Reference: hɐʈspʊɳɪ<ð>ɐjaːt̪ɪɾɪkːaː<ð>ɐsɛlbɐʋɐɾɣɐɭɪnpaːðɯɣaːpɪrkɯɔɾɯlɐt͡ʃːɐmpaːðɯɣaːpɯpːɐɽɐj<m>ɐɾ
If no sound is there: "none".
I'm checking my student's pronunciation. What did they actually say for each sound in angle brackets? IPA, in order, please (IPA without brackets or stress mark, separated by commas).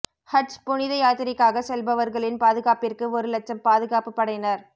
ð, ɣ, n